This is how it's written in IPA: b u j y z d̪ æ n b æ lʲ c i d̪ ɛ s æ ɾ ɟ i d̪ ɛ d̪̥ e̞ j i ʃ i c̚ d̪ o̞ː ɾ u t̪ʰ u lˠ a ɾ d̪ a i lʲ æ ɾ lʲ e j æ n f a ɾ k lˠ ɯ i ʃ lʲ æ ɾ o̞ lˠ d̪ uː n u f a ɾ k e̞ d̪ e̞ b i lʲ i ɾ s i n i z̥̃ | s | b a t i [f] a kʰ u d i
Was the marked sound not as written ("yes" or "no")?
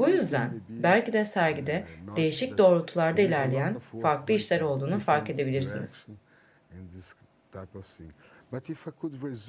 no